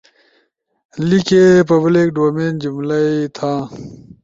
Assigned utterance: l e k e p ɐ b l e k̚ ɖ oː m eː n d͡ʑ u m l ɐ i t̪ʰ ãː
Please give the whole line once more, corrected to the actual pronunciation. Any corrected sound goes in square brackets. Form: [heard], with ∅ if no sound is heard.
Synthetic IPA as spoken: l [i] k e p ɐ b l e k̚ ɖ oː m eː n d͡ʑ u m l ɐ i t̪ʰ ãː